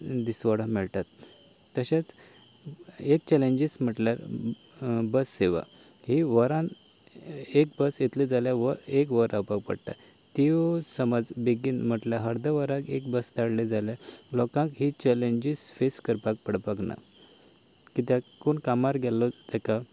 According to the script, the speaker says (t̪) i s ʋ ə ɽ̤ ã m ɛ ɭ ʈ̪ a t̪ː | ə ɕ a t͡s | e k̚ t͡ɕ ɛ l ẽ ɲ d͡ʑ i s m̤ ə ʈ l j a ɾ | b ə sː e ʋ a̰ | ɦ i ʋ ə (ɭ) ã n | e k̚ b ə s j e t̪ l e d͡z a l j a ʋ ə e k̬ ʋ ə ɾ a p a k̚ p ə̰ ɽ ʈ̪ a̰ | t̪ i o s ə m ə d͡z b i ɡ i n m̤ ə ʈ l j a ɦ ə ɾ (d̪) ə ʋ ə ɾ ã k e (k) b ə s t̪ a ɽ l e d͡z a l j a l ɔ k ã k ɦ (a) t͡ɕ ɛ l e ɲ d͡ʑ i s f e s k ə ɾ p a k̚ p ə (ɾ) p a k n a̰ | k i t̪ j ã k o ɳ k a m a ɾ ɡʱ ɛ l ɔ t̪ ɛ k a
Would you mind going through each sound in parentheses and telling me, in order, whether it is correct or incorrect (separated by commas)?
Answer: incorrect, incorrect, correct, correct, incorrect, incorrect